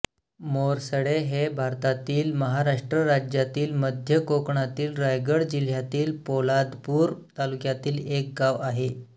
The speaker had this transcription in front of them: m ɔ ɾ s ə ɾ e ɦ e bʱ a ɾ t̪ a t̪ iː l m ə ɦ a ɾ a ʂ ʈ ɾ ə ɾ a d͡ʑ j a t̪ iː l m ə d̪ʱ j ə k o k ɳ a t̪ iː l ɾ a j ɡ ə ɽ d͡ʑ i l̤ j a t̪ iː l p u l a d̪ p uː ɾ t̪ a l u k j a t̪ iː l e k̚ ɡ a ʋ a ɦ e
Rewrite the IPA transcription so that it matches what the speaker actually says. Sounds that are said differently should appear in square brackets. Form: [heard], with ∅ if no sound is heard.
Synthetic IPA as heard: m [o] ɾ s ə [ɽ] e ɦ e bʱ a ɾ t̪ a t̪ iː l m ə ɦ a ɾ a ʂ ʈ ɾ ə ɾ a d͡ʑ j a t̪ iː l m ə d̪ʱ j ə k o k ɳ a t̪ iː l ɾ a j ɡ ə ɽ d͡ʑ i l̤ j a t̪ iː l p [o] l a d̪ p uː ɾ t̪ a l u k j a t̪ iː l e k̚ ɡ a ʋ a ɦ e